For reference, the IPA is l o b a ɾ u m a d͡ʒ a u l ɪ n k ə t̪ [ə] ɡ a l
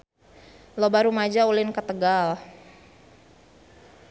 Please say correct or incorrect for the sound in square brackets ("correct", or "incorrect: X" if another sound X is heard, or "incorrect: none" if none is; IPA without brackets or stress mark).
correct